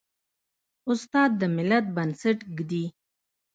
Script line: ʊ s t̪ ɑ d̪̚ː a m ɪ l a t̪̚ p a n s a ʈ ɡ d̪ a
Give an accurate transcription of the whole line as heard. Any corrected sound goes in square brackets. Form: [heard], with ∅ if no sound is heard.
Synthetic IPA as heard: ʊ s t̪ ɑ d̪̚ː [ə] m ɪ l a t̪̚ [b] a n s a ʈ ɡ d̪ [i]